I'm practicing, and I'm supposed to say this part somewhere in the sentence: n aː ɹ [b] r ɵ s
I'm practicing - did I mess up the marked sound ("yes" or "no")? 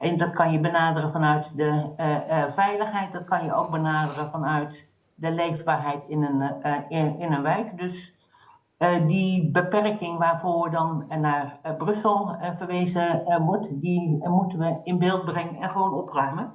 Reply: no